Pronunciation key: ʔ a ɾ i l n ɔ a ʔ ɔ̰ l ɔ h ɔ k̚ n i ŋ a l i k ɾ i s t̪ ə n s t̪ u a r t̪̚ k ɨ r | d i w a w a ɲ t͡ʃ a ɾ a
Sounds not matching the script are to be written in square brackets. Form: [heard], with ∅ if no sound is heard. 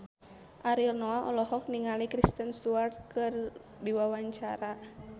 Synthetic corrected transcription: ʔ a ɾ i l n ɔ a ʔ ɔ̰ l ɔ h ɔ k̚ n i ŋ a l i k ɾ i s t̪ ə n s t̪ u a r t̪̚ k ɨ r | d i w a w a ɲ t͡ʃ a ɾ a

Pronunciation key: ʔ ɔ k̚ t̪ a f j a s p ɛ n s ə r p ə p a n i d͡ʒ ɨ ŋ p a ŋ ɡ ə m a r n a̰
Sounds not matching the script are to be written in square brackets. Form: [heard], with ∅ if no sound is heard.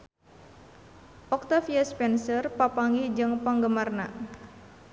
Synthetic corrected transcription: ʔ ɔ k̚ t̪ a f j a s p ɛ n s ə r p [a] p a [ŋ] i d͡ʒ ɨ ŋ p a ŋ ɡ ə m a r n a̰

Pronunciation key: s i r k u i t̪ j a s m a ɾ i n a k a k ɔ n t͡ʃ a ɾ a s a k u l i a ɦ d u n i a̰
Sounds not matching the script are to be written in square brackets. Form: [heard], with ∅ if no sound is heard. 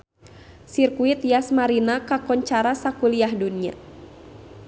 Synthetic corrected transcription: s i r k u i t̪ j a s m a ɾ i n a k a k ɔ [ɲ] t͡ʃ a ɾ a s a k u l i a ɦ d u n i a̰

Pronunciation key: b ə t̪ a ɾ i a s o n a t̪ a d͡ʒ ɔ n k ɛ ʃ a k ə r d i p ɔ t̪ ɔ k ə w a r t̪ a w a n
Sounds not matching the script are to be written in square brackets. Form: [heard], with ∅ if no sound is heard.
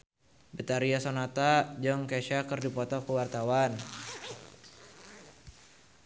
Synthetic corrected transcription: b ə t̪ a ɾ i a s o n a t̪ a d͡ʒ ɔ [ŋ] k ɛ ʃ a k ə r d i p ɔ t̪ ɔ k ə w a r t̪ a w a n

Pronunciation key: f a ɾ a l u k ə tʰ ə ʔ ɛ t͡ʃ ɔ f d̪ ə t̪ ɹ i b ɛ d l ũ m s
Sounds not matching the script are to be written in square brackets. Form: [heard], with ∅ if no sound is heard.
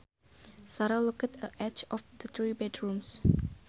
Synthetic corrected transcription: [s] a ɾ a l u k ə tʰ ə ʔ ɛ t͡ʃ ɔ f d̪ ə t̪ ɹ i b ɛ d [ɹ] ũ m s

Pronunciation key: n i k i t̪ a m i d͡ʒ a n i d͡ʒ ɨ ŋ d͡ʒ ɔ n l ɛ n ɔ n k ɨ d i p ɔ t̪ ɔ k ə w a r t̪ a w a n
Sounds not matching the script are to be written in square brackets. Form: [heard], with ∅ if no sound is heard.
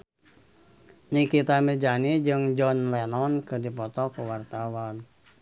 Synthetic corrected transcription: n i k i t̪ a m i d͡ʒ a n i d͡ʒ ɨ ŋ d͡ʒ ɔ n l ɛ n ɔ n k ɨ d i p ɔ t̪ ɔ k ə w a r t̪ a w a n

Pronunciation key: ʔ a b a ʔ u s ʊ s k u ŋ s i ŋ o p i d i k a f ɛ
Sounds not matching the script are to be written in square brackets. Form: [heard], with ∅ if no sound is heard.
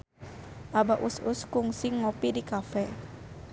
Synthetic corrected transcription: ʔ a b a ʔ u s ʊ s k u ŋ s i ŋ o p i d i k a f ɛ

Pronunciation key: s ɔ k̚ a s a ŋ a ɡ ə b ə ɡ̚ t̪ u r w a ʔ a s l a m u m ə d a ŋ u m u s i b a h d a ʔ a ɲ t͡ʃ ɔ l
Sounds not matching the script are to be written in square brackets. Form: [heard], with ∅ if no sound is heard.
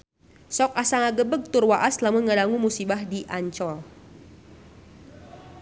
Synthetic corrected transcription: s ɔ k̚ a s a ŋ a ɡ ə b ə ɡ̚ t̪ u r w a ʔ a s l a m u [ŋ] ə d a ŋ u m u s i b a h d [i] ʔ a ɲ t͡ʃ ɔ l

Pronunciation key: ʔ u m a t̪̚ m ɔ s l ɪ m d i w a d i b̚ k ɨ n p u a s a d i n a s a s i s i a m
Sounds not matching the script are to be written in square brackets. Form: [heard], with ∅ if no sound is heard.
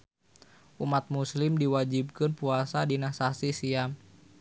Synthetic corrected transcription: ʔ u m a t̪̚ m [u] s l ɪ m d i w a [d͡ʒ] i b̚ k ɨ n p u a s a d i n a s a s i s i a m

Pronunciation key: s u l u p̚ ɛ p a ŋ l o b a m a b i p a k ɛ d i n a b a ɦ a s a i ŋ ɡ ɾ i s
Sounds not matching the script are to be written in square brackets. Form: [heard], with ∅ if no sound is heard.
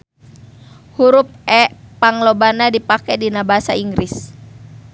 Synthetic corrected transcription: [h] u [ɾ] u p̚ ɛ p a ŋ l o b a [n] a [d] i p a k ɛ d i n a b a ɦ a s a i ŋ ɡ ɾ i s

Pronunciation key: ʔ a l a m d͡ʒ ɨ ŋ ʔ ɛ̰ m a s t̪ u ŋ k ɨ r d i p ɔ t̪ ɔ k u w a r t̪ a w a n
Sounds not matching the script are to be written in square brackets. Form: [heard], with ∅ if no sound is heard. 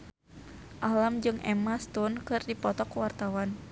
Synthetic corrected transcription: ʔ a l a m d͡ʒ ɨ ŋ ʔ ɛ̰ m a s t̪ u [n] k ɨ r d i p ɔ t̪ ɔ k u w a r t̪ a w a n

